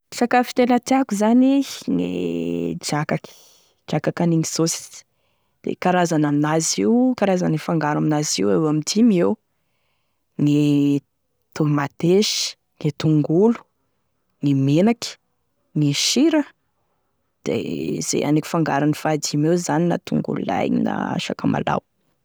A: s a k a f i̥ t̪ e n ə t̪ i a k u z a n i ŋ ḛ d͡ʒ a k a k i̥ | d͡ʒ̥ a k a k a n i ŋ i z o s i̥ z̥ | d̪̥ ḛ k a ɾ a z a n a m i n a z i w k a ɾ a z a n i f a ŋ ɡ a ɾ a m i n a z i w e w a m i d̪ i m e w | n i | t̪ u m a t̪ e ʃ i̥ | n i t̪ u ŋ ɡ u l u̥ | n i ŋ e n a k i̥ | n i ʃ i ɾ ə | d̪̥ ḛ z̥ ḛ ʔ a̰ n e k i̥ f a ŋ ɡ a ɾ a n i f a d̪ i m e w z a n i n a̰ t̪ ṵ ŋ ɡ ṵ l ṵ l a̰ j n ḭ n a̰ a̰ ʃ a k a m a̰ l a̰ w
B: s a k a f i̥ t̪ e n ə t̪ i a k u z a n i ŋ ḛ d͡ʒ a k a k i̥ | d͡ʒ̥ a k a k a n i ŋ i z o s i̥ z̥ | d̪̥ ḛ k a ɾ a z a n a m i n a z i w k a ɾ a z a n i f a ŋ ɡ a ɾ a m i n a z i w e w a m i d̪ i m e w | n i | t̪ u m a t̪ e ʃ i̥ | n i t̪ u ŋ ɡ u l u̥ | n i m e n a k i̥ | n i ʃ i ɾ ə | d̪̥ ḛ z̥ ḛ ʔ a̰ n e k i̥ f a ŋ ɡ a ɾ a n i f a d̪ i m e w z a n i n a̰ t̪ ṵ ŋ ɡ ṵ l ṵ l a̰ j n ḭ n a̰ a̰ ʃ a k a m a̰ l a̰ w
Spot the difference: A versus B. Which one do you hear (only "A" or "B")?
B